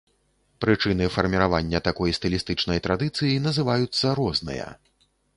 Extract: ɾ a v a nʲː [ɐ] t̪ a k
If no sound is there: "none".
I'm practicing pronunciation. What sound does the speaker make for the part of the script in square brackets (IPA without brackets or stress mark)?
ɐ